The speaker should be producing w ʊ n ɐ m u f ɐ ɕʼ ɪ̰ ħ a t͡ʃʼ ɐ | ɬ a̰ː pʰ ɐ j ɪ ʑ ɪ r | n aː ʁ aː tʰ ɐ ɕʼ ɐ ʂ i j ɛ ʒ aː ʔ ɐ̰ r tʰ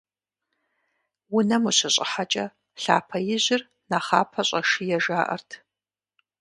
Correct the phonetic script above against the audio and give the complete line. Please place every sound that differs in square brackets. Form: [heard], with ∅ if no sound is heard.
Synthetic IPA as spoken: w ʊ n ɐ m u [ɕ] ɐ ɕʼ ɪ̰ ħ a t͡ʃʼ ɐ | ɬ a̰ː pʰ ɐ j ɪ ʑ ɪ r | n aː [χ] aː [pʰ] ɐ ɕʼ ɐ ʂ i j ɛ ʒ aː ʔ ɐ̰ r tʰ